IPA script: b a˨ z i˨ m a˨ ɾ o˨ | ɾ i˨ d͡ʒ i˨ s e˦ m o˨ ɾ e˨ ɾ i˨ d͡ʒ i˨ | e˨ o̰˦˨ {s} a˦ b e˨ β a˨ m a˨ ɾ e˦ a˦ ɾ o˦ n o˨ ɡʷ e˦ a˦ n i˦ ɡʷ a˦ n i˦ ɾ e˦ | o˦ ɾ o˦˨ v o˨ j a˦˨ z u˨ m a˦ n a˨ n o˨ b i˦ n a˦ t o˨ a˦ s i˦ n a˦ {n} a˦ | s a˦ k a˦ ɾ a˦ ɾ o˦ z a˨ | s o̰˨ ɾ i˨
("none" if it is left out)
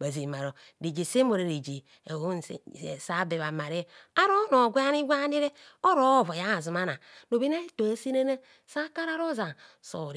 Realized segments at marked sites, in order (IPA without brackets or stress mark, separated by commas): s, n